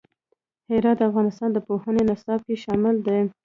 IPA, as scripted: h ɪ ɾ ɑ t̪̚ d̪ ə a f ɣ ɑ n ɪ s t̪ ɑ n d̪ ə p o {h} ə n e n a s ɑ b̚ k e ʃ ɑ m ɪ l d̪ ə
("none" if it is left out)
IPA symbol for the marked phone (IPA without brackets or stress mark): h